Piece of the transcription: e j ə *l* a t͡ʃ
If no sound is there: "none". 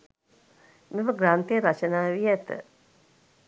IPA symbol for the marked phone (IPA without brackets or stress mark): ɾ